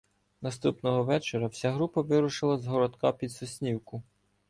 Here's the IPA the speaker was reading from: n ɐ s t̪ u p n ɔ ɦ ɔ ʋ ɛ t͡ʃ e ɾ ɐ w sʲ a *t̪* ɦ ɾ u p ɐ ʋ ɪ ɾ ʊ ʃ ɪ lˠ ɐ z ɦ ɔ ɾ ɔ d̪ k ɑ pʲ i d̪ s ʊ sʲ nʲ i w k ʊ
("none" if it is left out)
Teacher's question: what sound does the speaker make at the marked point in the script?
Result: none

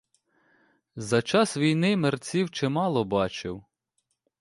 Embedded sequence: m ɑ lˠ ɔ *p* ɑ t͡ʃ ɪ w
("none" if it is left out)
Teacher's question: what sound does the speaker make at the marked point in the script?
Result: b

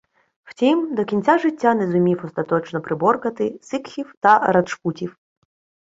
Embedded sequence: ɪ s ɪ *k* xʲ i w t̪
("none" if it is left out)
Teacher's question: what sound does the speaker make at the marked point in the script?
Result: k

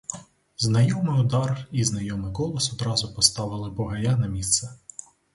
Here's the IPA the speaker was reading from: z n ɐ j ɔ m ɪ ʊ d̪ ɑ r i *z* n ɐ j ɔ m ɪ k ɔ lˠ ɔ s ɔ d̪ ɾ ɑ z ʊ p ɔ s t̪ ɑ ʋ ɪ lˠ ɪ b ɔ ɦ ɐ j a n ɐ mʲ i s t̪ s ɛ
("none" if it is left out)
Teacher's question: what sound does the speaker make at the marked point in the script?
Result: z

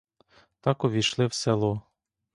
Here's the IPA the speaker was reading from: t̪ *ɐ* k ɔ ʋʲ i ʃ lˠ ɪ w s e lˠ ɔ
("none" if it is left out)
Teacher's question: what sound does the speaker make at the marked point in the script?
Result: ɑ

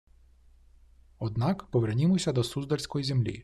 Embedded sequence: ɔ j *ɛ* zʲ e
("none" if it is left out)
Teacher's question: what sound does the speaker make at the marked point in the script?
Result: i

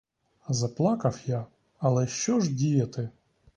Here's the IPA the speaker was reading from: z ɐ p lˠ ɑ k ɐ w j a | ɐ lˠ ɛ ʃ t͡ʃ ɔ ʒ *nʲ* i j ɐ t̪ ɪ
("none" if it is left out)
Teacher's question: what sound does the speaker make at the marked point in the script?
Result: dʲ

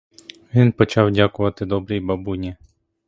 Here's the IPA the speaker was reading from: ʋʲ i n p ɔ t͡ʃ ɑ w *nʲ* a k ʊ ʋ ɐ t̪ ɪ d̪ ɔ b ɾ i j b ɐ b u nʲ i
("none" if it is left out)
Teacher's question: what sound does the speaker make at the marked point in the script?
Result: dʲ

